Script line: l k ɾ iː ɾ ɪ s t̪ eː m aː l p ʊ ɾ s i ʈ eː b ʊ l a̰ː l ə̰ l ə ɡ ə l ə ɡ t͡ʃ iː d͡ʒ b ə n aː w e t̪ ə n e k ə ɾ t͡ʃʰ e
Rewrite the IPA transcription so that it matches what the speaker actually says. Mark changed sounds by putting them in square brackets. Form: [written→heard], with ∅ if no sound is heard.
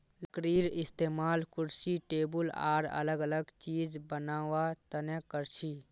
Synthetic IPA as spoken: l k ɾ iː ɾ ɪ s t̪ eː m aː l [p→k] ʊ ɾ s i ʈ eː b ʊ l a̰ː [l→ɾ] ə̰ l ə ɡ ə l ə ɡ t͡ʃ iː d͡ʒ b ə n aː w [e→a] t̪ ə n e k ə ɾ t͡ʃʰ [e→i]